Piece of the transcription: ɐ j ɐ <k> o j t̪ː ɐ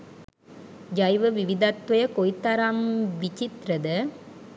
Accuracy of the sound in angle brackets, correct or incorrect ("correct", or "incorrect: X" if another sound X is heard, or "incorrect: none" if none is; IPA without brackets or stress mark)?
correct